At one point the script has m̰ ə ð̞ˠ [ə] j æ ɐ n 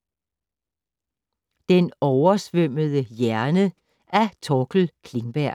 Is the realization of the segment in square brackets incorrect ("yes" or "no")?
no